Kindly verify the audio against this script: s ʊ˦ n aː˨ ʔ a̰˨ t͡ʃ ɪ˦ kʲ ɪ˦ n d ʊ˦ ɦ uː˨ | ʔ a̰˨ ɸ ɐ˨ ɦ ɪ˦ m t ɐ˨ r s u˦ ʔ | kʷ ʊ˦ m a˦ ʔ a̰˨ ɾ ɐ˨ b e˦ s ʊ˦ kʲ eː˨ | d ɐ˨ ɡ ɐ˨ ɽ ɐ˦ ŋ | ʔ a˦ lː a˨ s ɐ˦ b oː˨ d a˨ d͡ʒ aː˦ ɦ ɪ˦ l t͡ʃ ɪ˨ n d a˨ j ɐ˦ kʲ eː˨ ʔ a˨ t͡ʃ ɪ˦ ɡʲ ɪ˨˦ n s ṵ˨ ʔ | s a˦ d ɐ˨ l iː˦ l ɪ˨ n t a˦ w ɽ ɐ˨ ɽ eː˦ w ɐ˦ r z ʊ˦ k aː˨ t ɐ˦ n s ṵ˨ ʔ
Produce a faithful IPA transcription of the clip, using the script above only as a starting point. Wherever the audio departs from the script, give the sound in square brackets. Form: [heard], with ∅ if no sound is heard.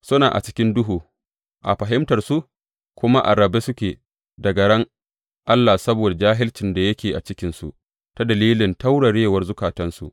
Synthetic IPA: s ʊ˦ n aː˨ ʔ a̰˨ t͡ʃ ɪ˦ kʲ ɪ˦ n d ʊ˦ ɦ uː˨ | ʔ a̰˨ ɸ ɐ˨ ɦ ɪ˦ m t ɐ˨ r s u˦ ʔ | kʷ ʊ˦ m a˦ ʔ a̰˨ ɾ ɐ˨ b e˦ s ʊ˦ kʲ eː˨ | d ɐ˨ ɡ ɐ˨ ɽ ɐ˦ ŋ | ʔ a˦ lː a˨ s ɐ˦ b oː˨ d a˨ d͡ʒ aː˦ ɦ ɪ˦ l t͡ʃ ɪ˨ n d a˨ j ɐ˦ kʲ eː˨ ʔ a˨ t͡ʃ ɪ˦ [kʲ] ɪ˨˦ n s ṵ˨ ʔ | [t] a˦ d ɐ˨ l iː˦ l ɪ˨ n t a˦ w ɽ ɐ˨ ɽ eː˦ w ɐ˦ r z ʊ˦ k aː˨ t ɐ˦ n s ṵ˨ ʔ